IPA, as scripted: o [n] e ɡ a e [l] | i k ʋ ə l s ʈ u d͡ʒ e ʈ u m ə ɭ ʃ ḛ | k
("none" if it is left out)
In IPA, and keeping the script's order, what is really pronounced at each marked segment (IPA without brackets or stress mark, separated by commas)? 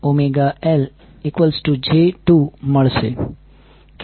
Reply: m, l